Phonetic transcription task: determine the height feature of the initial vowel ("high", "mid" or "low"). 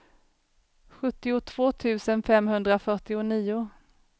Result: mid